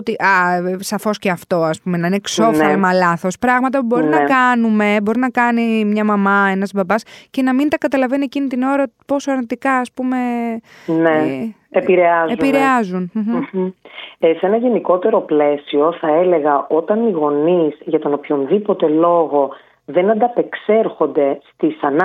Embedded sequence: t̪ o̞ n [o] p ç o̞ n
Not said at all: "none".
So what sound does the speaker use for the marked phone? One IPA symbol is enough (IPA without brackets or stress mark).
o